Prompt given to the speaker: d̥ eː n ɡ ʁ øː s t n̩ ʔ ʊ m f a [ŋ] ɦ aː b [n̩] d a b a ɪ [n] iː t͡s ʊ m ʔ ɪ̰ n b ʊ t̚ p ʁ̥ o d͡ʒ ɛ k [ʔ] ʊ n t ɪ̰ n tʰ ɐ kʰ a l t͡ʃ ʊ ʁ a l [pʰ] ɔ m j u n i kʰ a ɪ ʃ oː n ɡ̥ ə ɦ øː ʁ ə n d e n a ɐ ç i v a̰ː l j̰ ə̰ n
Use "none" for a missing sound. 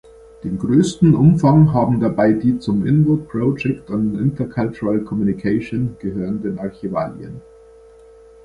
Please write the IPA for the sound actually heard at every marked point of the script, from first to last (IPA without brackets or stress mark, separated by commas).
ŋ, m̩, d, t, kʰ